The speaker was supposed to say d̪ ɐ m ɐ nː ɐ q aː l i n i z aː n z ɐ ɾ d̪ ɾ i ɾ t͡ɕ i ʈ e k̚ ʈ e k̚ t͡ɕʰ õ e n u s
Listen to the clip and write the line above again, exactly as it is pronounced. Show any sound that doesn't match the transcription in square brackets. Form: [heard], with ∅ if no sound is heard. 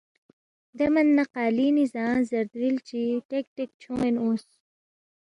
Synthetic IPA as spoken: d̪ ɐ m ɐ nː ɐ q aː l i n i z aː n z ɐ ɾ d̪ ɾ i [l] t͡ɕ i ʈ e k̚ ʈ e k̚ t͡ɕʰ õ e n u s